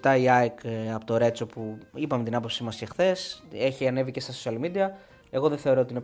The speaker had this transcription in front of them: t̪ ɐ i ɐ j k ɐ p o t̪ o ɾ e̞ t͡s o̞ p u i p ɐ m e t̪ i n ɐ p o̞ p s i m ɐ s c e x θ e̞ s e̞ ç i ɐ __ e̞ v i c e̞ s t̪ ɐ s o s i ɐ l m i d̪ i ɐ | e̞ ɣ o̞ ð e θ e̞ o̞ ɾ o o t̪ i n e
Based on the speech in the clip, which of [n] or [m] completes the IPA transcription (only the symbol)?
n